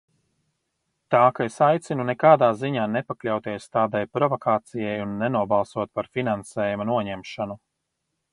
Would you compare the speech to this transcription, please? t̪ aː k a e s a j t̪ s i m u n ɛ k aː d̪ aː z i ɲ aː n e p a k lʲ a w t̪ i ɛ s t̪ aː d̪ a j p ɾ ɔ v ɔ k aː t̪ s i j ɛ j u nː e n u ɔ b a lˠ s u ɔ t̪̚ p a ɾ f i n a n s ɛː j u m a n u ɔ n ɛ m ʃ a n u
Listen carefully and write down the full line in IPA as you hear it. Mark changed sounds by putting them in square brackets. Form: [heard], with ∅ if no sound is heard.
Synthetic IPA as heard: t̪ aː k a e s a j t̪ s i [n] u n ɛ k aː d̪ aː z i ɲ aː n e p a k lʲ a w t̪ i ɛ s t̪ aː d̪ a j p ɾ ɔ v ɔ k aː t̪ s i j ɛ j u nː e n u ɔ b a lˠ s u ɔ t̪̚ p a ɾ f i n a n s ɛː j u m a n u ɔ [ɲ] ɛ m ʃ a n u